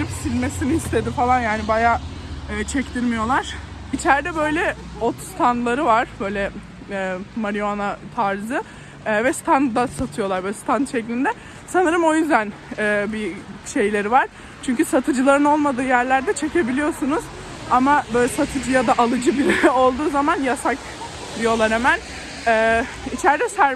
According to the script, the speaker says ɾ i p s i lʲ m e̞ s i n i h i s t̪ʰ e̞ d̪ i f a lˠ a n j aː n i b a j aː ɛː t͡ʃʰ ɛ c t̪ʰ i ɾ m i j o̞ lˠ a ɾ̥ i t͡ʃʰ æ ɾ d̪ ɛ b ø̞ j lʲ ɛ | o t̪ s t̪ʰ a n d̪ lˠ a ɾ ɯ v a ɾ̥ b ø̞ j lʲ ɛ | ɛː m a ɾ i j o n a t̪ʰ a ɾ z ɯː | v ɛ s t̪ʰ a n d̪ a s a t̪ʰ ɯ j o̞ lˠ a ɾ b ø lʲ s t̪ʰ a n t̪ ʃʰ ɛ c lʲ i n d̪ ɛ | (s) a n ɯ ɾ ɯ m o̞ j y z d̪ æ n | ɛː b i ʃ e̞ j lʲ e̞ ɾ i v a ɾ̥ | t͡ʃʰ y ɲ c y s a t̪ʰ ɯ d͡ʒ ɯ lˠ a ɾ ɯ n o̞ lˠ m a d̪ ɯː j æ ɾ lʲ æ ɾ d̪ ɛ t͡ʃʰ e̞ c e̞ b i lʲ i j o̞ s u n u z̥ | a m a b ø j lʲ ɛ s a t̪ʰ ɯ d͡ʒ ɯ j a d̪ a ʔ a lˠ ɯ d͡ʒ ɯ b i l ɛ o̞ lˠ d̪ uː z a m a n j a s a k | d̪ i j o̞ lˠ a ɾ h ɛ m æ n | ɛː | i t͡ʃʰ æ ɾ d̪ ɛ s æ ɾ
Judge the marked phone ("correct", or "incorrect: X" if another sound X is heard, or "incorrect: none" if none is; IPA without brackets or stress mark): correct